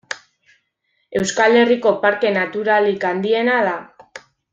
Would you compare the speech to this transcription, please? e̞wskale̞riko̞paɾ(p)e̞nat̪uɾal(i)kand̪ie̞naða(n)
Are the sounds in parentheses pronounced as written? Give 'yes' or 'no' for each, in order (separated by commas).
no, yes, no